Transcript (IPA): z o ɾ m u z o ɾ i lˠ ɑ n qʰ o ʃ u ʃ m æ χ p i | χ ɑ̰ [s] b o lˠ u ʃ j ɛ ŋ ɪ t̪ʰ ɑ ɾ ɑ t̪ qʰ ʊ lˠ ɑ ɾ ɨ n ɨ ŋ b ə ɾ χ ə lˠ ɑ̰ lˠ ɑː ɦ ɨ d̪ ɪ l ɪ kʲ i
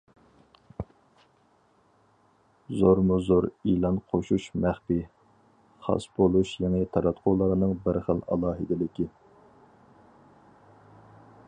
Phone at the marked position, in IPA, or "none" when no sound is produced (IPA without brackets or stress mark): s